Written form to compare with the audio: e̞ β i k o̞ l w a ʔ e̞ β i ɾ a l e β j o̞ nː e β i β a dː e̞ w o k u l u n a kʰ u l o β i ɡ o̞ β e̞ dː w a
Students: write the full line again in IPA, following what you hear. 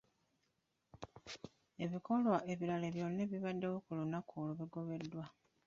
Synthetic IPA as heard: e̞ β i k o̞ l w a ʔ e̞ β i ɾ a l e β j o̞ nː e β i β a dː e̞ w o k u l u n a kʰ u l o β i ɡ o̞ β e̞ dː w a